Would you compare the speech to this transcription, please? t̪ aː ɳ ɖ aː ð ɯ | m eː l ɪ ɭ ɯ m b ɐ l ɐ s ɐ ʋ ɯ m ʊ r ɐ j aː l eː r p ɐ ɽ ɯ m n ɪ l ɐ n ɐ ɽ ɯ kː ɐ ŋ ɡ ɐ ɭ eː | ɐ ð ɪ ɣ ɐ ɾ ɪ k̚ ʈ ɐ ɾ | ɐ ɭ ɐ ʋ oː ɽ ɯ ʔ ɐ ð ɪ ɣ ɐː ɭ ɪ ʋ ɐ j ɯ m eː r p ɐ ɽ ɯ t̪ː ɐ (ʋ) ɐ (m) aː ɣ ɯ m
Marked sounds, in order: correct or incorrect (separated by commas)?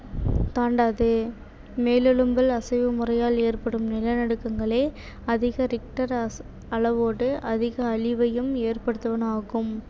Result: correct, incorrect